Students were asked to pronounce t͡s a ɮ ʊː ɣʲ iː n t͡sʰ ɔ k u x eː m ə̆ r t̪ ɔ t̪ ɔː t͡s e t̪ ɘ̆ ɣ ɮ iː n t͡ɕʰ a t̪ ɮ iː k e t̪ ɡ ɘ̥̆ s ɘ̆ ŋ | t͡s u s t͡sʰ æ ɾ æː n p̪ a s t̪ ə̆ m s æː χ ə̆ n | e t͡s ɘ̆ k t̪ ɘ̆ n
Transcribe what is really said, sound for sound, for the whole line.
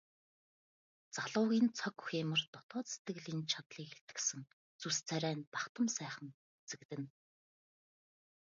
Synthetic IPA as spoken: t͡s a ɮ ʊː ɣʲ iː n t͡sʰ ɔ k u x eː m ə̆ r t̪ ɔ t̪ ɔː t͡s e t̪ ɘ̆ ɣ ɮ iː n t͡ɕʰ a t̪ ɮ iː k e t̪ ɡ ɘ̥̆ s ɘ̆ ŋ | t͡s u s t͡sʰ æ ɾ æː n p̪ a χ t̪ ə̆ m s æː χ ə̆ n | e t͡s ɘ̆ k t̪ ɘ̆ n

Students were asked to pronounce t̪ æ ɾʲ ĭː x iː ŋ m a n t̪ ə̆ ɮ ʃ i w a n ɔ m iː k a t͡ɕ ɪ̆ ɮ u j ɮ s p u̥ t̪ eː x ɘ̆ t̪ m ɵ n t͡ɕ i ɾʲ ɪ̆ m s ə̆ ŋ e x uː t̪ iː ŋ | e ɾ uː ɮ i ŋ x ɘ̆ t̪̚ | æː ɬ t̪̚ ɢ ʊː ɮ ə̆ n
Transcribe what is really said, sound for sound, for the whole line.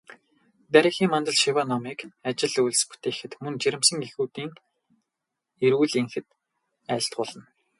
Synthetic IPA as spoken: t̪ æ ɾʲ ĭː x iː ŋ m a n t̪ ə̆ ɮ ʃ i w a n ɔ m iː k a t͡ɕ ɪ̆ ɮ u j ɮ s p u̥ t̪ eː x ɘ̆ t̪ m ɵ n t͡ɕ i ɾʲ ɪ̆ m s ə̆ ŋ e x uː t̪ iː ŋ | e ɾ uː ɮ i ŋ x ɘ̆ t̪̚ | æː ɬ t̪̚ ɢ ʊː ɮ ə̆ n

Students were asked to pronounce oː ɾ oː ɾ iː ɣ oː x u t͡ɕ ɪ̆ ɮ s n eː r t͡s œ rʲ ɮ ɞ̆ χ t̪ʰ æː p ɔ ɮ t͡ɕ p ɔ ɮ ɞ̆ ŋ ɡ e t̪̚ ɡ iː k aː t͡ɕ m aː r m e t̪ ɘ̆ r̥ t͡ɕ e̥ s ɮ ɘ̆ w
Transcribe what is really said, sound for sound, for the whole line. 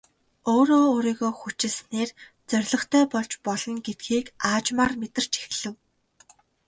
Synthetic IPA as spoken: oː ɾ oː ɾ iː ɣ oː x u t͡ɕ ɪ̆ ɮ s n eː r t͡s œ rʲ ɮ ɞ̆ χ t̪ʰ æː p ɔ ɮ t͡ɕ p ɔ ɮ ɞ̆ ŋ ɡ e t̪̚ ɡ iː k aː t͡ɕ m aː r m e t̪ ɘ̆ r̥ t͡ɕ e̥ x ɮ ɘ̆ w

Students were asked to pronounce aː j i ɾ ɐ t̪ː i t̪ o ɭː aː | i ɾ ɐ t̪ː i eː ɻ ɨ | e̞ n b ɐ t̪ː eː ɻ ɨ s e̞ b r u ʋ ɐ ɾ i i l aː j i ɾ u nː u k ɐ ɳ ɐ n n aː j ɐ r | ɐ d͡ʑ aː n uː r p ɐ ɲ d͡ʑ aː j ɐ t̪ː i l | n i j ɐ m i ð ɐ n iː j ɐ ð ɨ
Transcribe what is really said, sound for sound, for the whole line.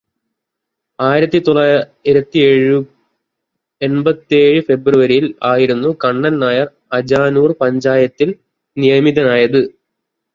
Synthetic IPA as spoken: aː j i ɾ ɐ t̪ː i t̪ o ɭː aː | i ɾ ɐ t̪ː i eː ɻ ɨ | e̞ n b ɐ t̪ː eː ɻ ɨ f e̞ b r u ʋ ɐ ɾ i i l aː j i ɾ u nː u k ɐ ɳː ɐ n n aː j ɐ r | ɐ d͡ʑ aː n uː r p ɐ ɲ d͡ʑ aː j ɐ t̪ː i l | n i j ɐ m i ð ɐ n aː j ɐ ð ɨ

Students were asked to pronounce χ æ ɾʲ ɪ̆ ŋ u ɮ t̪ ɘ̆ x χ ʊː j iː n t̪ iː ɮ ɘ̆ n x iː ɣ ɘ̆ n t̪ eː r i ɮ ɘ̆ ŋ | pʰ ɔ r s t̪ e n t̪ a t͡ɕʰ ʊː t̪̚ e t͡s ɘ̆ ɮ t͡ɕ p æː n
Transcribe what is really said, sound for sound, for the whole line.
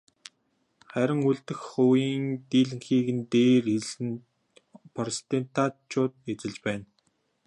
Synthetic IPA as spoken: χ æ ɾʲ ɪ̆ ŋ u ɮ t̪ ɘ̆ x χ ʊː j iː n t̪ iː ɮ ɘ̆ ŋ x iː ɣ ɘ̆ n t̪ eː r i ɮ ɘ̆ n | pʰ ɔ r s t̪ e n t̪ a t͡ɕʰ ʊː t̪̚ e t͡s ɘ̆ ɮ t͡ɕ p æː n

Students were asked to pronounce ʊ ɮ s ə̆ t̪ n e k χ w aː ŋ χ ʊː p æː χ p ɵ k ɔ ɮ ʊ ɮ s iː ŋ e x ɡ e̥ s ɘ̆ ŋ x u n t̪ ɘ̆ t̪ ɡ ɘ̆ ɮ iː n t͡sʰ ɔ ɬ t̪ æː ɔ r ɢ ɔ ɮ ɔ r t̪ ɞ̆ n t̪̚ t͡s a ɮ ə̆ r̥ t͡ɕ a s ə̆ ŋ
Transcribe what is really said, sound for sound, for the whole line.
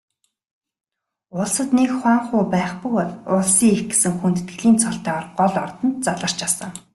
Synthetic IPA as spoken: ʊ ɮ s ə̆ t̪ n e k χ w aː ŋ χ ʊː p æː χ p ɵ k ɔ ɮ ʊ ɮ s iː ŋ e x ɡ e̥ s ɘ̆ ŋ x u n t̪ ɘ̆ t̪ ɡ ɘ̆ ɮ iː n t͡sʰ ɔ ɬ t̪ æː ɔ r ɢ ɔ ɮ ɔ r t̪ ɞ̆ n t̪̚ t͡s a ɮ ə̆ r̥ t͡ɕ a s ə̆ ŋ

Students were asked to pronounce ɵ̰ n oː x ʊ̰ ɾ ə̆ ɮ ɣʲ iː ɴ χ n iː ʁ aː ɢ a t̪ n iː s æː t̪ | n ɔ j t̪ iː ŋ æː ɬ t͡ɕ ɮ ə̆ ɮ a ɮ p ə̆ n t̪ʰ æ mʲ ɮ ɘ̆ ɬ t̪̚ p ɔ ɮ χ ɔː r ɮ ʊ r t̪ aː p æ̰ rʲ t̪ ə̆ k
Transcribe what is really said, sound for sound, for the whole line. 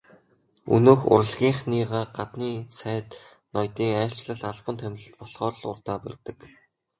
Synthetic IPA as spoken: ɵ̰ n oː x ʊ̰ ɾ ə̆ ɮ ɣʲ iː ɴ χ n iː ʁ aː ɢ a t̪ n iː s æː t̪ | n ɔ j t̪ iː ŋ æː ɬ t͡ɕ ɮ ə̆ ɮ a ɮ p ə̆ n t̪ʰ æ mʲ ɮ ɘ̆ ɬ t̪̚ p ɔ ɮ χ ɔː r ɮ ʊ r t̪ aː p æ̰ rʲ t̪ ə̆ k

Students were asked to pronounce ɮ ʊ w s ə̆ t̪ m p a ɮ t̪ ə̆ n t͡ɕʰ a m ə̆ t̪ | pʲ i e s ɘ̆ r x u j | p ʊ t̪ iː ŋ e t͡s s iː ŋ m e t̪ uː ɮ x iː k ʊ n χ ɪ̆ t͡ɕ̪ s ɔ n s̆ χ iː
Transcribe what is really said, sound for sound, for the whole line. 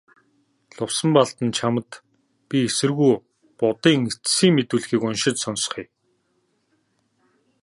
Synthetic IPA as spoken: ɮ ʊ w s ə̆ m p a ɮ t̪ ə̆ n t͡ɕʰ a m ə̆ t̪ | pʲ i e s ɘ̆ r ɣ u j | p ʊ t̪ iː ŋ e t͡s s iː ŋ m e t̪ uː ɮ x iː k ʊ n ʃ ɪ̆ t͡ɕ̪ s ɔ n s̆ χ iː

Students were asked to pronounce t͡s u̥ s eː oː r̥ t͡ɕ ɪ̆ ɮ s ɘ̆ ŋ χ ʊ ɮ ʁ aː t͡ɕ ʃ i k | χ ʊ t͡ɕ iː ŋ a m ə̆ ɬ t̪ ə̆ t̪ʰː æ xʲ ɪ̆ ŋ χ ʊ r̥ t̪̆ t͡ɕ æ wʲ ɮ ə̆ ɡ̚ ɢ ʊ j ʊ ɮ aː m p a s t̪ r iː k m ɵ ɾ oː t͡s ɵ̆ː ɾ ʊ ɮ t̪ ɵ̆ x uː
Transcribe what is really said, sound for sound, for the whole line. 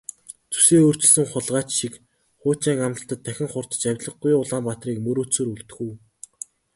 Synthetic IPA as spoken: t͡s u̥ s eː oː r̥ t͡ɕ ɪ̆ ɮ s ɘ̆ ŋ χ ʊ ɮ ʁ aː t͡ɕ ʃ i k | χ ʊː t͡ɕ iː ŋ a m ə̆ ɬ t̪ ə̆ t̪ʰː æ xʲ ɪ̆ ŋ χ ʊ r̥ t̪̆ t͡ɕ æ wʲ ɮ ə̆ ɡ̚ ɡ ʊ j ʊ ɮ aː m p a t̪ r iː k m ɵ ɾ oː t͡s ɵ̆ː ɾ u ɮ t̪ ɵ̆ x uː

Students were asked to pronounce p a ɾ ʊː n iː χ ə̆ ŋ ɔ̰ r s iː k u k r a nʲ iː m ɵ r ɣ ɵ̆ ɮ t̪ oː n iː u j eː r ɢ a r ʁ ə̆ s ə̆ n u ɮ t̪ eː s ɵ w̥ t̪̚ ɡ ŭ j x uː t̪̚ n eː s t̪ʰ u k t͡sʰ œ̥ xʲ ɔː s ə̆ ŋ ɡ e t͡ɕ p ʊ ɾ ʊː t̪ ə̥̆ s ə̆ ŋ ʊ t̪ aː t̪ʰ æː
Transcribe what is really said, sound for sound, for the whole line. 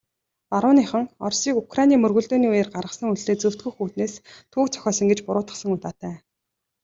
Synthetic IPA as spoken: p a ɾ ʊː n iː χ ə̆ ŋ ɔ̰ r s iː k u k r a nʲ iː m ɵ r ɣ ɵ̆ ɮ t̪ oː n iː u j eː r ɢ a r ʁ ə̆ s ə̆ ŋ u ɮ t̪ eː t͡s ɵ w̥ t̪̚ ɡ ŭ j x uː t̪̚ n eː s t̪ʰ uː k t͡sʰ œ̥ xʲ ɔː s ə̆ ŋ ɡ e t͡ɕ p ʊ ɾ ʊː t̪ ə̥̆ s ə̆ ŋ ʊ t̪ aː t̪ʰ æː

